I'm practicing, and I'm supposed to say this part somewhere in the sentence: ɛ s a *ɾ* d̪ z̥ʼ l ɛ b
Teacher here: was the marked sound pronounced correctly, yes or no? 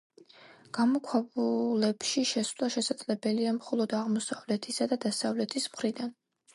no